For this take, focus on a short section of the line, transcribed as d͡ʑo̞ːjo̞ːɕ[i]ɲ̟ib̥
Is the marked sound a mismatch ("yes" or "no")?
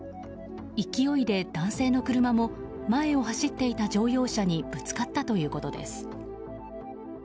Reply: yes